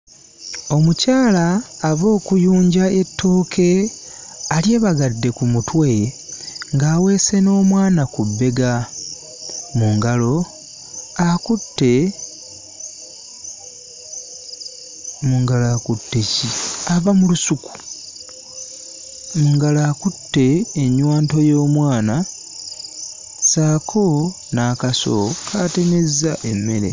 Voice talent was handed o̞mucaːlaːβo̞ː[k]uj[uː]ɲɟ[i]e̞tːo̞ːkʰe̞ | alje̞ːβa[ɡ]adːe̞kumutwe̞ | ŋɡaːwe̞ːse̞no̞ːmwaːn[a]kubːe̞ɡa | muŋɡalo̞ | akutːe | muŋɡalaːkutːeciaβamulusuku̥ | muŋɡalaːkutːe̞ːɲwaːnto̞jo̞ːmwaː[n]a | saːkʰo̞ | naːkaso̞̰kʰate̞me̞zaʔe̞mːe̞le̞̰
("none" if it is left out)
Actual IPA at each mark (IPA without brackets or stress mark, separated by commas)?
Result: k, uː, a, ɡ, a, n